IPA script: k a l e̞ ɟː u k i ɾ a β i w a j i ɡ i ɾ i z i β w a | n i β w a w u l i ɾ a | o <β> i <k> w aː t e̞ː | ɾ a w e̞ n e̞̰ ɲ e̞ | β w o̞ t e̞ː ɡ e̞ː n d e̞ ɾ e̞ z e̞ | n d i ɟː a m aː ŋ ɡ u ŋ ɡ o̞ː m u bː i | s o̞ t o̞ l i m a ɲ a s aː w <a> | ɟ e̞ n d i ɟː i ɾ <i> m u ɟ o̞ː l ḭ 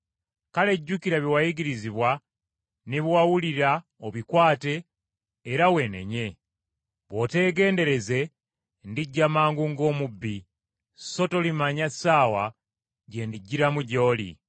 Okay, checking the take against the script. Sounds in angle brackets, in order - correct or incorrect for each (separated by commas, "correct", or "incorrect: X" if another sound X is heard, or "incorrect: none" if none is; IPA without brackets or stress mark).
correct, correct, correct, incorrect: a